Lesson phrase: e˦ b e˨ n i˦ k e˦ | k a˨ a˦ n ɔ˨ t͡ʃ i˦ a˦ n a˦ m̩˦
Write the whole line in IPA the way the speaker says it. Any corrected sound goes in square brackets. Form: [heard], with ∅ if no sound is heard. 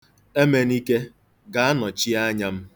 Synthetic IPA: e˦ [m] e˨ n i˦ k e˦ | [ɡ] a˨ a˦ n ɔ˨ t͡ʃ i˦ a˦ [ɲ] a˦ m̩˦

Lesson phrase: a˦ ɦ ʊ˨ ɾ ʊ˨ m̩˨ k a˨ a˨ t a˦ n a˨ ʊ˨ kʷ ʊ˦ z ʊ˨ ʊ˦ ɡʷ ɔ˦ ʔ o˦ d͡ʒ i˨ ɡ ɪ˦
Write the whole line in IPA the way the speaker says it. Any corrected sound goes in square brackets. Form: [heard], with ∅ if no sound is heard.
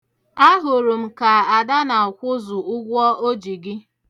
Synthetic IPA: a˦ ɦ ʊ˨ ɾ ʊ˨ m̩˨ k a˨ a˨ [d] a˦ n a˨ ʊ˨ kʷ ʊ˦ z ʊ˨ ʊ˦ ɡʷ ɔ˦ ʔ o˦ d͡ʒ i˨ ɡ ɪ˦

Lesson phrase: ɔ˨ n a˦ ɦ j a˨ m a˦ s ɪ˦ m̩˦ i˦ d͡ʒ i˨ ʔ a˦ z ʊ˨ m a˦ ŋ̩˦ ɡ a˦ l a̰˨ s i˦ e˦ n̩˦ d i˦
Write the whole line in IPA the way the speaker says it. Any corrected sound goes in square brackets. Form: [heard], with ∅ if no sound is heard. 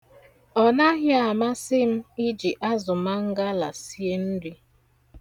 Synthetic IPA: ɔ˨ n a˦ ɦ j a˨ m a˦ s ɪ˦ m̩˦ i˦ d͡ʒ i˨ ʔ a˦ z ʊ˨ m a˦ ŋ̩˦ ɡ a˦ l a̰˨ s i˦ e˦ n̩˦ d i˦

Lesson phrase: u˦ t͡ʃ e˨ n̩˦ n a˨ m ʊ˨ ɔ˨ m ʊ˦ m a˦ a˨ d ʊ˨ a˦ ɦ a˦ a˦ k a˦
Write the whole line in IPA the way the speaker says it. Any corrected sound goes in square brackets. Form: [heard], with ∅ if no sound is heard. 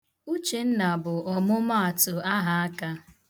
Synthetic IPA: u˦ t͡ʃ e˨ n̩˦ n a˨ [b] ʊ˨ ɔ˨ m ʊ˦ m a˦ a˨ [t] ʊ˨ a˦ ɦ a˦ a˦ k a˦

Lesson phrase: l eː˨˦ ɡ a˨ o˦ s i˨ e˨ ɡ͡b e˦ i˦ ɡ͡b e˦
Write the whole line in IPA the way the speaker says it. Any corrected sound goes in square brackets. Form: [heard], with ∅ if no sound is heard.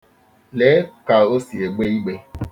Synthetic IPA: l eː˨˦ [k] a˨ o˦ s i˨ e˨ ɡ͡b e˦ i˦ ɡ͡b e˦

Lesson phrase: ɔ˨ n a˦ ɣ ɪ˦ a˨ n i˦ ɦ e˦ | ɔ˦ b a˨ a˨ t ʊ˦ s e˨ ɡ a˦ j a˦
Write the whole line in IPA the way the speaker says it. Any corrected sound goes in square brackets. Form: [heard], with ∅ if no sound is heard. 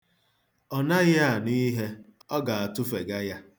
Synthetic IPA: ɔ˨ n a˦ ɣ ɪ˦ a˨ n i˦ ɦ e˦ | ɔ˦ [ɡ] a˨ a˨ t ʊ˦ [f] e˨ ɡ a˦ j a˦

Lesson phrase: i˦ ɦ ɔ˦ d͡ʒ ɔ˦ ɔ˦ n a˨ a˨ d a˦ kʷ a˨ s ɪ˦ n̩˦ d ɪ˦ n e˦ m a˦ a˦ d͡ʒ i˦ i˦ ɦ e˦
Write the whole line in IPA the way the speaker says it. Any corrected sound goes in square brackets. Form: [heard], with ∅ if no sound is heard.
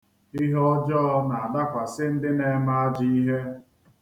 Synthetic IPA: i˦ ɦ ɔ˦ d͡ʒ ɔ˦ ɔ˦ n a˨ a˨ d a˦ kʷ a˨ s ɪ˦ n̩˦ d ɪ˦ n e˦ m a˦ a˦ d͡ʒ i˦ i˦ ɦ e˦

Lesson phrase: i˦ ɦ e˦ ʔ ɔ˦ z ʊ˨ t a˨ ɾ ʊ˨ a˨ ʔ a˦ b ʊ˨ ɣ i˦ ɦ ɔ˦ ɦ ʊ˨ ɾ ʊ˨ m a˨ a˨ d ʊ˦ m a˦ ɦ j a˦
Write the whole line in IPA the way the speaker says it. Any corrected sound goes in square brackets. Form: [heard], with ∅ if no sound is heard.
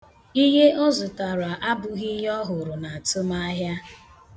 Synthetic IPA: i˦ ɦ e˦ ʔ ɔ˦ z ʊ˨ t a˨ ɾ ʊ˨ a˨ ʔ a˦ b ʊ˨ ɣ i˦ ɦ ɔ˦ ɦ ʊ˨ ɾ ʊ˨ [n] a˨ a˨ [t] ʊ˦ m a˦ ɦ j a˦

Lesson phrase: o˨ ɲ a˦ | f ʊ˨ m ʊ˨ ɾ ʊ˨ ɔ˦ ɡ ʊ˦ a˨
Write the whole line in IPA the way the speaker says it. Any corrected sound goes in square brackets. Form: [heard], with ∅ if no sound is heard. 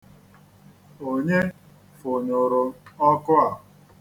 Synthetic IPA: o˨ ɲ [e˦] | f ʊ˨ [ɲ] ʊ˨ ɾ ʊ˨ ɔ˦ [k] ʊ˦ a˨

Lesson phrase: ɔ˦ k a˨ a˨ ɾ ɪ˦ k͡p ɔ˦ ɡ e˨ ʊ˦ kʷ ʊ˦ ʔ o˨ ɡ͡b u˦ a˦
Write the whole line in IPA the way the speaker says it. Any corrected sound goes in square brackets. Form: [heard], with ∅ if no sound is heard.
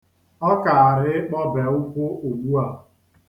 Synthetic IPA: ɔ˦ k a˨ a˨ ɾ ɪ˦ k͡p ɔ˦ [b] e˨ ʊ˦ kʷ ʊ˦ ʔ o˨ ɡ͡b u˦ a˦

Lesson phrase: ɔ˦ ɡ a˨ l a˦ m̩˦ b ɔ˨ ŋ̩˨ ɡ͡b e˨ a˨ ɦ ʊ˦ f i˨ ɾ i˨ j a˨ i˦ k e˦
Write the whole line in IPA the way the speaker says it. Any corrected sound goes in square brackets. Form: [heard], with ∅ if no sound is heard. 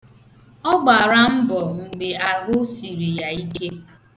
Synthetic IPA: ɔ˦ [ɡ͡b] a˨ [ɾ] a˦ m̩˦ b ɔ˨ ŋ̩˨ ɡ͡b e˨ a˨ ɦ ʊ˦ [s] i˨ ɾ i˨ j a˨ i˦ k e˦

